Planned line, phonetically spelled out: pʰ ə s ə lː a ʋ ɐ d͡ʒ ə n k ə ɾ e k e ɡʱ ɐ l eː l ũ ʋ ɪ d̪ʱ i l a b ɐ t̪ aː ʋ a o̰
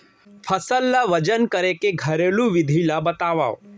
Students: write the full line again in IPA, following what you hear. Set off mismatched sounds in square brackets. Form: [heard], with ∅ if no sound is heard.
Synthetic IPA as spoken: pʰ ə s ə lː a ʋ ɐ d͡ʒ ə n k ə ɾ e k e ɡʱ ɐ [ɾ] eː l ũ ʋ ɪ d̪ʱ i l a b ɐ t̪ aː ʋ a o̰